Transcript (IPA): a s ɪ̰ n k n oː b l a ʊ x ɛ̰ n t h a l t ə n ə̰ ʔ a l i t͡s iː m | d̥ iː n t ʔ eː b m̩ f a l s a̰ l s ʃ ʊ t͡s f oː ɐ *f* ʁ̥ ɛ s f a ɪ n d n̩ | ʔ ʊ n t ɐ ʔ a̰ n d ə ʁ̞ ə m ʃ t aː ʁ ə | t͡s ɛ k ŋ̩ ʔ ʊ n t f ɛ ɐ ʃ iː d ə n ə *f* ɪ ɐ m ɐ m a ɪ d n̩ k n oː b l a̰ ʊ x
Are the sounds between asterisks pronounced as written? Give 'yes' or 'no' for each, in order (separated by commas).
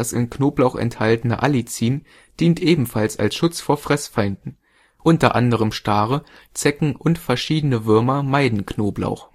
yes, no